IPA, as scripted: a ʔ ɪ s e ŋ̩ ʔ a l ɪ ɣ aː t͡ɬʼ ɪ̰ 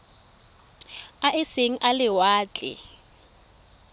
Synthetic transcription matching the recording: a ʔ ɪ s e ŋ̩ ʔ a l ɪ w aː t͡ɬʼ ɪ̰